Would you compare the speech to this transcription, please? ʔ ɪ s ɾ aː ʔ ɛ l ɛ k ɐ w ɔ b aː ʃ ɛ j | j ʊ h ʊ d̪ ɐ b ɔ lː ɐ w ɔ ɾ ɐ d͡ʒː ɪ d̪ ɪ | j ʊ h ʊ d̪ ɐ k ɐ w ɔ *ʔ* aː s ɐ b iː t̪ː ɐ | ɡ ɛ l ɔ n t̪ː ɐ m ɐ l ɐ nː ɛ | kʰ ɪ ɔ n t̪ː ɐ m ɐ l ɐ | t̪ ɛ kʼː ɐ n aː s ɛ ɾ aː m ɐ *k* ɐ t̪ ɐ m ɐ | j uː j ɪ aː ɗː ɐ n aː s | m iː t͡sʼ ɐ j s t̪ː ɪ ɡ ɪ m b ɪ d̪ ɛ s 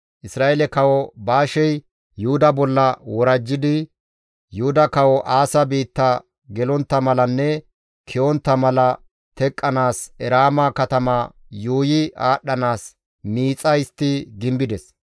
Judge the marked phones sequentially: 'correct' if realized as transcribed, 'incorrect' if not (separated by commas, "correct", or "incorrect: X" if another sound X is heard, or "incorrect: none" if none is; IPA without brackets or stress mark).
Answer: correct, correct